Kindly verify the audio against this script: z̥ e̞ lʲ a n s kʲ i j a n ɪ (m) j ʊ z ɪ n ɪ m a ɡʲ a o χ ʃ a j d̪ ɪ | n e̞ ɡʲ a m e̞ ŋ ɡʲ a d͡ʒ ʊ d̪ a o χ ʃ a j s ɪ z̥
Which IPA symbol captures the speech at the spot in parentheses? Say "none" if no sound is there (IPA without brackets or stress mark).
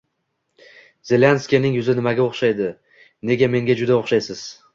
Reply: ŋ